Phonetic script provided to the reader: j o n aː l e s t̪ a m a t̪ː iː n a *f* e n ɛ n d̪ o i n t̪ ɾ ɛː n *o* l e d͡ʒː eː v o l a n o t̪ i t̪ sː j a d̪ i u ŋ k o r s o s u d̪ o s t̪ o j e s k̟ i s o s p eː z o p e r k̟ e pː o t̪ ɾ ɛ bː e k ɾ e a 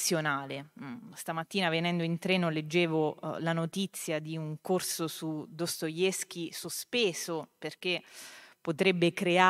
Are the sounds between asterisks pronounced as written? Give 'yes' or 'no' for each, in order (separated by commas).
no, yes